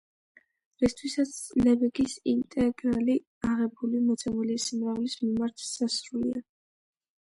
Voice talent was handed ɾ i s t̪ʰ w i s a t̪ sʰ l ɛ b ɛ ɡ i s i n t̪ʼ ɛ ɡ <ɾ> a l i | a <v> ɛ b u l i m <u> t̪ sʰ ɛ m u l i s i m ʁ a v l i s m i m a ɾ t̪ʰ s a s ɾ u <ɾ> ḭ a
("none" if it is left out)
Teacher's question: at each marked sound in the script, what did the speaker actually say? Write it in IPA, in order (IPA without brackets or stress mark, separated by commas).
ɾ, ʁ, ɔ, l